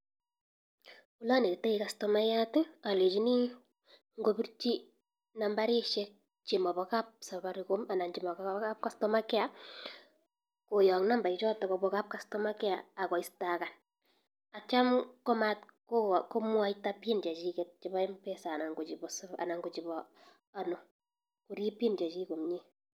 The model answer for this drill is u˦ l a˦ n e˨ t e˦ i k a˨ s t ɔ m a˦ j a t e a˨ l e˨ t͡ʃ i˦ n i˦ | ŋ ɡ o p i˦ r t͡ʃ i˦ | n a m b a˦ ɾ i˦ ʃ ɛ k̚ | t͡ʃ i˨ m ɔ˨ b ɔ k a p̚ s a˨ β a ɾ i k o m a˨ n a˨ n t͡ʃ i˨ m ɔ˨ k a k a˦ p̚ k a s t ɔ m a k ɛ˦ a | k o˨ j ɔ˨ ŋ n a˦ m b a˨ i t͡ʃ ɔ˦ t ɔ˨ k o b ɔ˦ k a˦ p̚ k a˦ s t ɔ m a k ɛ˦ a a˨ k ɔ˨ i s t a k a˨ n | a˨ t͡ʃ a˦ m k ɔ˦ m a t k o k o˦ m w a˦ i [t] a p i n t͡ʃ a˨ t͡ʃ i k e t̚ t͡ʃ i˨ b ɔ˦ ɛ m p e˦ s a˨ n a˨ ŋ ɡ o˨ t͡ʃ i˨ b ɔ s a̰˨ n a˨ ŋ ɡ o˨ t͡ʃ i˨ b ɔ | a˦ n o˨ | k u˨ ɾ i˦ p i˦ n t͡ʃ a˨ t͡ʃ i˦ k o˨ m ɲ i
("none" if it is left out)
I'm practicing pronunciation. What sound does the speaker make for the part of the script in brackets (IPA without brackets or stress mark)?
t